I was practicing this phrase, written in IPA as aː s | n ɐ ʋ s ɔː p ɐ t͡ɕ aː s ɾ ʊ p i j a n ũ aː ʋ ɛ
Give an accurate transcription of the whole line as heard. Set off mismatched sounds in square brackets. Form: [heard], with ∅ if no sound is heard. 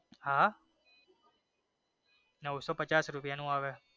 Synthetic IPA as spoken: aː [∅] | n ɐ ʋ s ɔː p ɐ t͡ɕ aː s ɾ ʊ p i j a n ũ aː ʋ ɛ